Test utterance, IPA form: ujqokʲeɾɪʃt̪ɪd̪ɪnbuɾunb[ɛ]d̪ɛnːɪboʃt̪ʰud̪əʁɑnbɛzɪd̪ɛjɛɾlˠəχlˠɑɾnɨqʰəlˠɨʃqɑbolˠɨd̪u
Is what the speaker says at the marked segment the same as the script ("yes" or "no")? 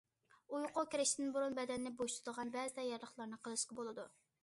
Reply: yes